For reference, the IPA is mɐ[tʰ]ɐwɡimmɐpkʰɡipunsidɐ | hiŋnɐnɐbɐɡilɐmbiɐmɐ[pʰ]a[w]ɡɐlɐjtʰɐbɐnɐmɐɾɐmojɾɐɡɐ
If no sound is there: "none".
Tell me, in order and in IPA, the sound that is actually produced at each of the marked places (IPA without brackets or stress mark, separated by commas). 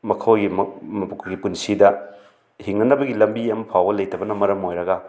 kʰ, pʰ, w